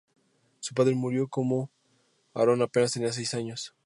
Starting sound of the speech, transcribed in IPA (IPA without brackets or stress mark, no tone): s